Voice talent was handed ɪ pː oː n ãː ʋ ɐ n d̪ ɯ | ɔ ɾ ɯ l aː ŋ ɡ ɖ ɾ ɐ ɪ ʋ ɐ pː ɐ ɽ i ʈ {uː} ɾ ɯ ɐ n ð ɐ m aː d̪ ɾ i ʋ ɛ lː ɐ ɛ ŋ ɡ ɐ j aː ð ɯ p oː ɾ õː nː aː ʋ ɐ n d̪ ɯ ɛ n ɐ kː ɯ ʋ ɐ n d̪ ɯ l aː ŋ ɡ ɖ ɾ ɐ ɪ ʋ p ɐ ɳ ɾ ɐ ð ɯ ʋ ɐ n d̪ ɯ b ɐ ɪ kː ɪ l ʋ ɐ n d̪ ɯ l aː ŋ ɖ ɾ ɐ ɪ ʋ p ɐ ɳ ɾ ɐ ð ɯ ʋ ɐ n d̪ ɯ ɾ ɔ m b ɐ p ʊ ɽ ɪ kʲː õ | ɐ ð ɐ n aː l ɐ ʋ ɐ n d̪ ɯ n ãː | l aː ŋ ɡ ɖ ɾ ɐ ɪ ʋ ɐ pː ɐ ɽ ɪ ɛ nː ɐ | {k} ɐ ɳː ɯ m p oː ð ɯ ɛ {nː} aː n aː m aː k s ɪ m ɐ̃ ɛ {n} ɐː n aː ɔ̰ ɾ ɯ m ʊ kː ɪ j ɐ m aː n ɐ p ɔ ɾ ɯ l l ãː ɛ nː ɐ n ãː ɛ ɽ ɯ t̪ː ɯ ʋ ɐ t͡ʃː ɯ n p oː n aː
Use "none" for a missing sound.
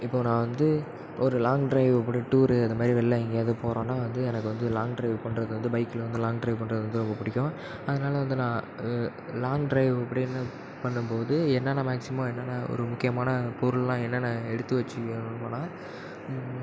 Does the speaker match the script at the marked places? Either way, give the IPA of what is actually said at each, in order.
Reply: uː, p, nː, nː

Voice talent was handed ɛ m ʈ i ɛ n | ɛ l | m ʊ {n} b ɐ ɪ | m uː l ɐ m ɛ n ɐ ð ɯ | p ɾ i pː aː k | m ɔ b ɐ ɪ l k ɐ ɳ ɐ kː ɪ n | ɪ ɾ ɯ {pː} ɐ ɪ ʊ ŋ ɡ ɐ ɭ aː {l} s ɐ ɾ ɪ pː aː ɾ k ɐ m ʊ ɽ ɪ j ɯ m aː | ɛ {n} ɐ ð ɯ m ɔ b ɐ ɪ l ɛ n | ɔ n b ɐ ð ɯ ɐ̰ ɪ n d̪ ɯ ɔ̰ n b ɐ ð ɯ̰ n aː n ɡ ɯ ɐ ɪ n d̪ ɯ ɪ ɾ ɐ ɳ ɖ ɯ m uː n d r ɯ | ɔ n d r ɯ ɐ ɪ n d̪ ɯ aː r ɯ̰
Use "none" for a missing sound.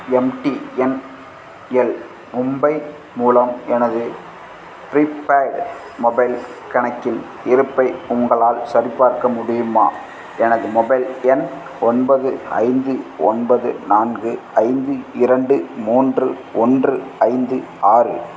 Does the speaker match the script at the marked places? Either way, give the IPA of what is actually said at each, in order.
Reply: m, pː, l, n

